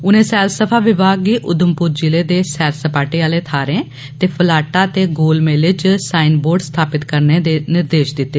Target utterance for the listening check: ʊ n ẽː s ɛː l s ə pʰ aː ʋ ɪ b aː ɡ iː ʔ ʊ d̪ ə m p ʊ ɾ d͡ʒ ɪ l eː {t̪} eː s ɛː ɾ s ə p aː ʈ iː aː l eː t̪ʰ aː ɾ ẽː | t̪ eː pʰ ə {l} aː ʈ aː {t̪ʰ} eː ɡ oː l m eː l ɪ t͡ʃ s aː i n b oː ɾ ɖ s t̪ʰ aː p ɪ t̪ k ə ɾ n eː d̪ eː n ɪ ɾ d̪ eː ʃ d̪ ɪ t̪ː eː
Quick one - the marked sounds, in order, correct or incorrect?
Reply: incorrect, correct, incorrect

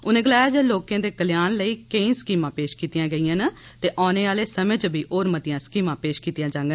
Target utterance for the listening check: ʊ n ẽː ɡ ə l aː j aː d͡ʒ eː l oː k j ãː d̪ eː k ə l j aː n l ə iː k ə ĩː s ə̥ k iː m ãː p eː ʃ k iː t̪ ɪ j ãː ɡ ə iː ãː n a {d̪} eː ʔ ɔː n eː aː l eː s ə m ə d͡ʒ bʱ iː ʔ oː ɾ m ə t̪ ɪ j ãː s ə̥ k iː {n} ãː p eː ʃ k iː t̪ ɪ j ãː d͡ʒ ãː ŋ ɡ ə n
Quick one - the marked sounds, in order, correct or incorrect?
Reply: incorrect, incorrect

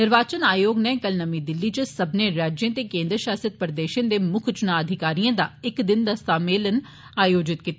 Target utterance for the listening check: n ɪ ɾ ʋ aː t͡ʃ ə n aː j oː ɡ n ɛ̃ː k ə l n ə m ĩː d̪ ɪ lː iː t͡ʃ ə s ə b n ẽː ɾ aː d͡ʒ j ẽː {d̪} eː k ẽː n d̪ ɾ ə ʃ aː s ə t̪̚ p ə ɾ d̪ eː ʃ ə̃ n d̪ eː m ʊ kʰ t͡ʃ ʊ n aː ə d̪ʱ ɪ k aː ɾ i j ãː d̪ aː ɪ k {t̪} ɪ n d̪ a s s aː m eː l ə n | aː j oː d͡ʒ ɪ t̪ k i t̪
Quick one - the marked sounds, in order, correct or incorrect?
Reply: incorrect, incorrect

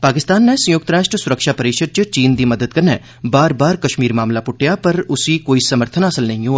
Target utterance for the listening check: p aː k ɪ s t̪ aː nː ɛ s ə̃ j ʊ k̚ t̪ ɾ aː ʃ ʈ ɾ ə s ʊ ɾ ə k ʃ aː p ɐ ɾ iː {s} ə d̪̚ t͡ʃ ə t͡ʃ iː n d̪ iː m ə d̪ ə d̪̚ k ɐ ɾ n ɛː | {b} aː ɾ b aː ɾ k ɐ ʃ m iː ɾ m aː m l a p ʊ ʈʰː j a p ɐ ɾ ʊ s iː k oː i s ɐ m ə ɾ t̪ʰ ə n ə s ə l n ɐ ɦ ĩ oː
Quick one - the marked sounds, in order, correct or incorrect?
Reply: incorrect, correct

